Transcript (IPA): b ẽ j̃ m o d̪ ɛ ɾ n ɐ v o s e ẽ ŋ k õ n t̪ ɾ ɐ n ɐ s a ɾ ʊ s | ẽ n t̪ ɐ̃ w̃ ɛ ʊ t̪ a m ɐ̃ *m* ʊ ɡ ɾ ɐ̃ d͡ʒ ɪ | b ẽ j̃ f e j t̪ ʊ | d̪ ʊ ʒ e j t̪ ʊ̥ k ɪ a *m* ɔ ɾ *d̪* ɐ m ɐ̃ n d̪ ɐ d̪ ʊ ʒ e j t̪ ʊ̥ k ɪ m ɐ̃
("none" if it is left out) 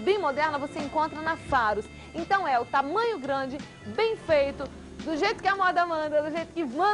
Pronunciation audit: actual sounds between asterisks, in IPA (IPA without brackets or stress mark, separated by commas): ɲ, m, d̪